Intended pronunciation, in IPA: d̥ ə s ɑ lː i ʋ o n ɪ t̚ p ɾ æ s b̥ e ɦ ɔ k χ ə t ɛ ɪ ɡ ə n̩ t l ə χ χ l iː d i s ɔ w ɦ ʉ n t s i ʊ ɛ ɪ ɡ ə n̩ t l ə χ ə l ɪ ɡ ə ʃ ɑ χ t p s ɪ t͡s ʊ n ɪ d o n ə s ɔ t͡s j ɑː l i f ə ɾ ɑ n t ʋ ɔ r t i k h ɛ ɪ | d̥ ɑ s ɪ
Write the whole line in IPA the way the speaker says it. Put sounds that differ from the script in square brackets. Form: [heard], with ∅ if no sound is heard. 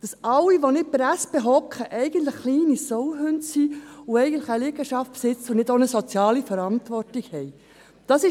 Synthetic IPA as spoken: d̥ [ɑ] s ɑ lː i ʋ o n ɪ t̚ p ɾ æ s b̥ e ɦ ɔ k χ ə [ʔ] ɛ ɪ ɡ ə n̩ t l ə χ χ l iː [n] i s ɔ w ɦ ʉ n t s i ʊ ɛ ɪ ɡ ə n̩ t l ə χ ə l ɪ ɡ ə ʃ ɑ [f] t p s ɪ t͡s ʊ n ɪ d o n ə s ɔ t͡s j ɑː l i f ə ɾ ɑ n t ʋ ɔ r t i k h ɛ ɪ | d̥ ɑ s ɪ